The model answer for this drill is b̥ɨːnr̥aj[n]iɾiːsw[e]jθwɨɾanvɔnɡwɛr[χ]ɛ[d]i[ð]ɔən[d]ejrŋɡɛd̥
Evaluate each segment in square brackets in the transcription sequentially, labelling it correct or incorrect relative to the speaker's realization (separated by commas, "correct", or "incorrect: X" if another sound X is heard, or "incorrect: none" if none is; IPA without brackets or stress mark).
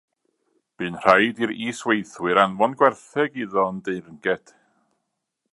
incorrect: d, correct, incorrect: θ, incorrect: ɡ, correct, correct